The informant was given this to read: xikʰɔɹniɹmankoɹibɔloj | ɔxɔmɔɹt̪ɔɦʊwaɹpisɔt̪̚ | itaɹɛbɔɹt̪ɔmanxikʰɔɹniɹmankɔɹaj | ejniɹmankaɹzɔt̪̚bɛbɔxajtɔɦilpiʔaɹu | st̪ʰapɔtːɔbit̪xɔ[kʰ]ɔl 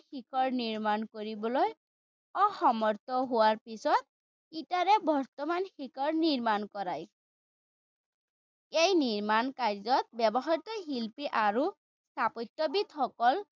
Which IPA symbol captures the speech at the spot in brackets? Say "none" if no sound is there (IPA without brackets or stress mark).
k